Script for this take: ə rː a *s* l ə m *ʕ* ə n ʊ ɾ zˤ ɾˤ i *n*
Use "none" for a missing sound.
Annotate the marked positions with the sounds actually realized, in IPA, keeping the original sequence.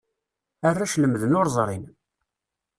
ʃ, ð, n

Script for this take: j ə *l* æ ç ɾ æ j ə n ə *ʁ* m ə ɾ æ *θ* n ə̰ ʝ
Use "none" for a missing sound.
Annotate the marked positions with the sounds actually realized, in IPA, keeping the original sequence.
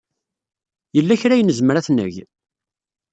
lː, z, θ

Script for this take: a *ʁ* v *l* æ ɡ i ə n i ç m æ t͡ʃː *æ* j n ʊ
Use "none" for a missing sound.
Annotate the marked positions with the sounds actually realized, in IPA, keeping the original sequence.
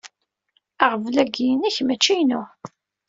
ʁ, l, i

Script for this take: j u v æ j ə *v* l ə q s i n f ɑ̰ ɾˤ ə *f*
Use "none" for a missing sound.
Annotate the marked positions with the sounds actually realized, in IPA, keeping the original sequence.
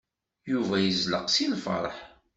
z, ħ

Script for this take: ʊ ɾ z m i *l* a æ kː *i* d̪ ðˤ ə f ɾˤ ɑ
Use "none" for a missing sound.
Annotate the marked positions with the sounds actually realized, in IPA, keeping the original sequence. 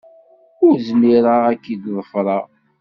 ɾ, i

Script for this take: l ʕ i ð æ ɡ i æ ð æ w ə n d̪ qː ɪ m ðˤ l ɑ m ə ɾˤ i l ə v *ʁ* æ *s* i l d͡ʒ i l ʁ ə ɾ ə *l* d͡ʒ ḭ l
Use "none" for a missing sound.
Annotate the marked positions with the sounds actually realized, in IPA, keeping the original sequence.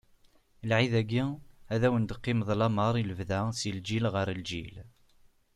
ð, s, l

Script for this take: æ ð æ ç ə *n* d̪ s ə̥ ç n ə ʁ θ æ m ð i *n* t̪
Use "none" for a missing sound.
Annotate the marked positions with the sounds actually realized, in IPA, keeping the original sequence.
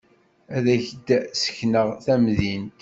none, n

